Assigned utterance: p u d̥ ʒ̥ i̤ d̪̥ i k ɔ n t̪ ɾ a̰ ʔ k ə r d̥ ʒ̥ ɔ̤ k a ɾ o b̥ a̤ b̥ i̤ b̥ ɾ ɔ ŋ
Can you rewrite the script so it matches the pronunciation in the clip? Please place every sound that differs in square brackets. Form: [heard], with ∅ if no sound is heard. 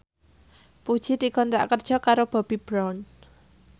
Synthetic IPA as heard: p u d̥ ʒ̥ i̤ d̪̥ i k ɔ n t̪ ɾ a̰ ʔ k ə r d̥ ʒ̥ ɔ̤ k a ɾ o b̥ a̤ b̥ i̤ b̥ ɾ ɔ [n]